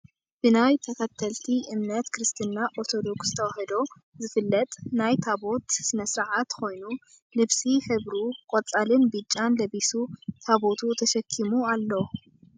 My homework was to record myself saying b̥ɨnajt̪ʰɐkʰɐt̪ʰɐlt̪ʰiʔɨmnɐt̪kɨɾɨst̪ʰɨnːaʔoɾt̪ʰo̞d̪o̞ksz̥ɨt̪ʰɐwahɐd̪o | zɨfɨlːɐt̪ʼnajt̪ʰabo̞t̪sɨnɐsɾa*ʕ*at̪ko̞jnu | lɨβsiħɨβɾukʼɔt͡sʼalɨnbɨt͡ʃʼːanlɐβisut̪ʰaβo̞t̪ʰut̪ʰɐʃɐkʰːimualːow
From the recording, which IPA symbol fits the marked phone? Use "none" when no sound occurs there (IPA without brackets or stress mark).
ʕ